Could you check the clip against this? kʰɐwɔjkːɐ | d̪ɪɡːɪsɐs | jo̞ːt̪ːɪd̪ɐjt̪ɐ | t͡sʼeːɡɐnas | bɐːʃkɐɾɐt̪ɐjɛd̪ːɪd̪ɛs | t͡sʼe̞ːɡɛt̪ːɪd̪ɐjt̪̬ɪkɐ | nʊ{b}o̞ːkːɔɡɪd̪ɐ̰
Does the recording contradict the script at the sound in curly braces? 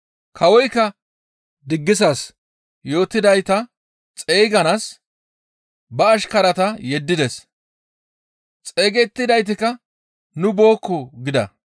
no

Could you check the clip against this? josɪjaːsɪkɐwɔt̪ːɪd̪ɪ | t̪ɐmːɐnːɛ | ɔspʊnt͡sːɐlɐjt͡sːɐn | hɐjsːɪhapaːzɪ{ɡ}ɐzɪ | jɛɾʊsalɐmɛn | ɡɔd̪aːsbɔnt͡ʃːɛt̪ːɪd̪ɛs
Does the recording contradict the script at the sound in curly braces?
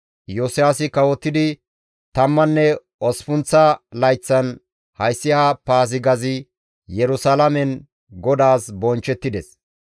no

